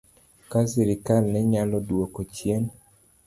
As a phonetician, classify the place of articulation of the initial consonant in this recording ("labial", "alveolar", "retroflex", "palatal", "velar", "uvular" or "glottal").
velar